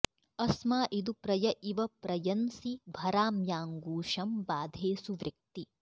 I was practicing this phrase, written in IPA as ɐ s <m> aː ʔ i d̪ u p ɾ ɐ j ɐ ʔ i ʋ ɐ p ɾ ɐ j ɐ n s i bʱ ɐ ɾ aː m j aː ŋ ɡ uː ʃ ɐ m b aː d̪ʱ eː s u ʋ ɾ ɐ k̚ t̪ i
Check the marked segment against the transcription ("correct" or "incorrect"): correct